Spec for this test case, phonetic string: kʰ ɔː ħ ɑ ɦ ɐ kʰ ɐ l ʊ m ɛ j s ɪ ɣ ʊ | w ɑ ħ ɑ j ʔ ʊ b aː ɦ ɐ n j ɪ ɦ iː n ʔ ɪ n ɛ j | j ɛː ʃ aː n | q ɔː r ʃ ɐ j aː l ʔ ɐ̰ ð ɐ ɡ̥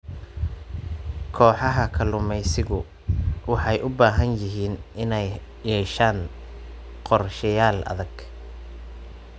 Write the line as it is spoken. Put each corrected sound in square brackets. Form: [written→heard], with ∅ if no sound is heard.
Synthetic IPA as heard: kʰ ɔː ħ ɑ ɦ ɐ kʰ ɐ l ʊ m ɛ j s ɪ ɣ ʊ | w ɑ ħ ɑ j ʔ ʊ b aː ɦ ɐ n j ɪ ɦ iː n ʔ ɪ n ɛ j | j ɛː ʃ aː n | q [ɔː→ɔ] r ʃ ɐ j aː l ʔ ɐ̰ ð ɐ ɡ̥